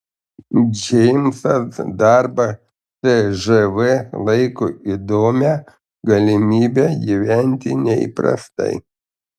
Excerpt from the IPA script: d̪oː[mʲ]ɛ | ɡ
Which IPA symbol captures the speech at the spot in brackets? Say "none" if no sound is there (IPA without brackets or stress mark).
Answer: mʲ